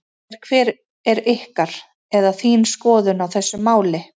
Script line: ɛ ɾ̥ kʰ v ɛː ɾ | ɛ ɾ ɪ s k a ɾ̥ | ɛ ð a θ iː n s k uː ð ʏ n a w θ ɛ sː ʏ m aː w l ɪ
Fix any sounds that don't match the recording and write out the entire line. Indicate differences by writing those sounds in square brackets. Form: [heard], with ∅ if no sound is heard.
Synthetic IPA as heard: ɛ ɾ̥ kʰ v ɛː ɾ | ɛ ɾ ɪ [h] k a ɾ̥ | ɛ ð a θ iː n s k [ɔː] ð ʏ n a w θ ɛ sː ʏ m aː w l ɪ